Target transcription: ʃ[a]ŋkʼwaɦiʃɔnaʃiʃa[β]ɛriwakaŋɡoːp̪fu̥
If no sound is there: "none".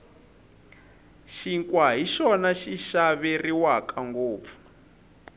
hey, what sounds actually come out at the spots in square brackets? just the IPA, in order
i, β

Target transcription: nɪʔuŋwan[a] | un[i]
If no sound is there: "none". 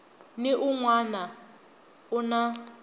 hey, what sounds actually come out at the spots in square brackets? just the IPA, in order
a, a

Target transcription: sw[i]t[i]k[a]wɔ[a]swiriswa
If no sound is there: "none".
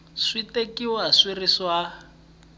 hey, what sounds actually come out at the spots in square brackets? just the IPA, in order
i, e, i, a

